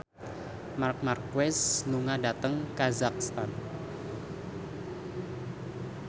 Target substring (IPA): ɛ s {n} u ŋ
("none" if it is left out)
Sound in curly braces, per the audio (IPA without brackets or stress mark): n